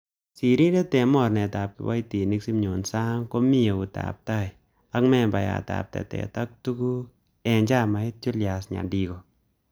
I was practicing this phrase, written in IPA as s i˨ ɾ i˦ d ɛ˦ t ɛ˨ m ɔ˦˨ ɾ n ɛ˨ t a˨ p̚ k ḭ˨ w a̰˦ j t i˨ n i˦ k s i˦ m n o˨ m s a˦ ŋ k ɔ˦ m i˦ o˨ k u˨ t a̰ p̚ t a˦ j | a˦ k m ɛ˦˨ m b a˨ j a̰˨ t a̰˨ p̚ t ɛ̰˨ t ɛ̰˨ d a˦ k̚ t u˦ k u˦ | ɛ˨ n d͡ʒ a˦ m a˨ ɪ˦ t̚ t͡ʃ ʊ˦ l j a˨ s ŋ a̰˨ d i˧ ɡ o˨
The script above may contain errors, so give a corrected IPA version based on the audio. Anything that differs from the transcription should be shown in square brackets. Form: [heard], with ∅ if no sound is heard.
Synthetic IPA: s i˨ ɾ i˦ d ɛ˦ t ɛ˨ m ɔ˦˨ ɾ n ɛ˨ t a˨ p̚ k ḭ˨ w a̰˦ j t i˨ n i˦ k s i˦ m [ɲ] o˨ [n] s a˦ ŋ k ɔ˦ m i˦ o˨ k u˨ t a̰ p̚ t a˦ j | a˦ k m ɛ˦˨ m b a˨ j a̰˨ t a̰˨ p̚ t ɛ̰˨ t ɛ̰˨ [t] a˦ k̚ t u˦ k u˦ | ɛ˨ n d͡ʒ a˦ m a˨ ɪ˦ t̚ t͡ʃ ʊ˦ l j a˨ s [ɲ] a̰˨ d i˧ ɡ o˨